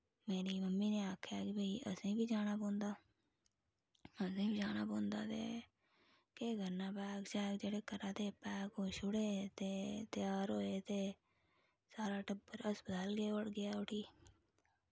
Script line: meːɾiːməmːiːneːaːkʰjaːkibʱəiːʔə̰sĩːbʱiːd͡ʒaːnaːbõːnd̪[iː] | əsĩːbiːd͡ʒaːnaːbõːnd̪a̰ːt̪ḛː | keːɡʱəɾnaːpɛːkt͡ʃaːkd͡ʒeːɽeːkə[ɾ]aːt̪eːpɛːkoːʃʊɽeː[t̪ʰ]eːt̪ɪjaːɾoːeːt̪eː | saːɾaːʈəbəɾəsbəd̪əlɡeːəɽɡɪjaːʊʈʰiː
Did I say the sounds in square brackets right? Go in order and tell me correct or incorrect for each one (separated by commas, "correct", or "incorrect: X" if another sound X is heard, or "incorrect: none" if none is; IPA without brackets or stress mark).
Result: incorrect: aː, correct, incorrect: t̪